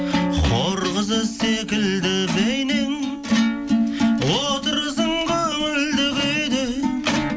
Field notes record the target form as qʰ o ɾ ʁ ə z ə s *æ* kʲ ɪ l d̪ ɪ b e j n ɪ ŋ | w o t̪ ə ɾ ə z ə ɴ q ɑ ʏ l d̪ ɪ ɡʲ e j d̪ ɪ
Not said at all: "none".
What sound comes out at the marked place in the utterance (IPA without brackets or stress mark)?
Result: e